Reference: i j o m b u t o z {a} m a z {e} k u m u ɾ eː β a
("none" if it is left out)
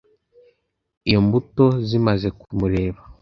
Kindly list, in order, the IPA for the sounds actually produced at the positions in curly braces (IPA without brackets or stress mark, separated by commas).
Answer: i, e